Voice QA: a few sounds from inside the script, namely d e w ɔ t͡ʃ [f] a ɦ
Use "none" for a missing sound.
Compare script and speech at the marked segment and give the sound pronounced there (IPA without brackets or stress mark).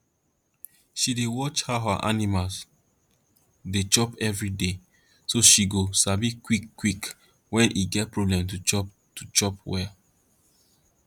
h